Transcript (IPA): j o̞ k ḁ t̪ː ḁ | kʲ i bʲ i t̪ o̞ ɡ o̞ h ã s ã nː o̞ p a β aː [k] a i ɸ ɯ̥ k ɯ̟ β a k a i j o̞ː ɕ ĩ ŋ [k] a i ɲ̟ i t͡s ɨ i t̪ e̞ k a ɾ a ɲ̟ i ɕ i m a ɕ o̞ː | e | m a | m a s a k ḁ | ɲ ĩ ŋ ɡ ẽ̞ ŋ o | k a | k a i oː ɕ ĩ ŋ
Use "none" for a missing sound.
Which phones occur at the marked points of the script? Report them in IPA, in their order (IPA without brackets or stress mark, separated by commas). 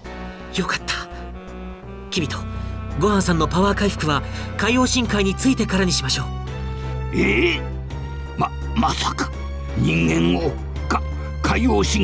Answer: k, k